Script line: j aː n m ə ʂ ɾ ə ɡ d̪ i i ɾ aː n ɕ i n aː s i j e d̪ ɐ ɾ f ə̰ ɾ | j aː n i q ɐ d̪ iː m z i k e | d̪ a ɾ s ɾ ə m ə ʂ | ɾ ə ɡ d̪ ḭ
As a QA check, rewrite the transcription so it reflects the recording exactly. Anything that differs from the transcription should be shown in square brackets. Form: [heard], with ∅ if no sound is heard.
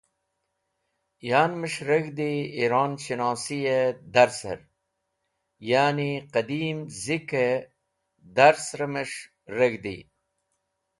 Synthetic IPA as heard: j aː n m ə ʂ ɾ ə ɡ d̪ i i ɾ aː n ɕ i n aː s i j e d̪ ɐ ɾ [s] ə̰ ɾ | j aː n i q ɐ d̪ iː m z i k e | d̪ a ɾ s ɾ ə m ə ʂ | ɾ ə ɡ d̪ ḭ